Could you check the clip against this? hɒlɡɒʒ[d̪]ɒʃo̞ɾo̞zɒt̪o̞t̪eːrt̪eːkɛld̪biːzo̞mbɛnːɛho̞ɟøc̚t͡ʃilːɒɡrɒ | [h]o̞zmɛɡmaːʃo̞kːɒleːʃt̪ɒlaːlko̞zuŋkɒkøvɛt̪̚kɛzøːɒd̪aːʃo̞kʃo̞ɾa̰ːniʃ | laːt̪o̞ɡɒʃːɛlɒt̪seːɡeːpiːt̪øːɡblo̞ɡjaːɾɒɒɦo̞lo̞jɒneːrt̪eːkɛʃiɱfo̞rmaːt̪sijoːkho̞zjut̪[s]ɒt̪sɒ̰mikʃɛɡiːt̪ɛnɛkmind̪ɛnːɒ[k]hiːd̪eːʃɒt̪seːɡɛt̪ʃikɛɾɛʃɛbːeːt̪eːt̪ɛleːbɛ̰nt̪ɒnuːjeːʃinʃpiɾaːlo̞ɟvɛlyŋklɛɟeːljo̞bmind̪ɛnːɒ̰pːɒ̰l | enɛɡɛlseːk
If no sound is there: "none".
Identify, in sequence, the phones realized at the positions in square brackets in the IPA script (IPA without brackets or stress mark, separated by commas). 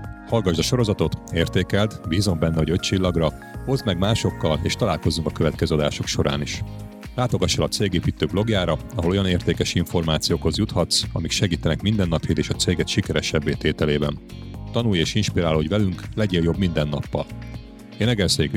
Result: d̪, h, h, p